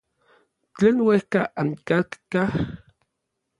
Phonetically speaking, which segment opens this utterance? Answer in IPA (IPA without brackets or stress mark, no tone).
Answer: t͡ɬ